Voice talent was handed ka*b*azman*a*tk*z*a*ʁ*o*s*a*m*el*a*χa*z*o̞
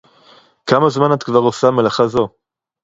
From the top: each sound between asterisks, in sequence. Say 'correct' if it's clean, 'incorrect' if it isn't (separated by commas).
incorrect, correct, incorrect, correct, correct, correct, correct, correct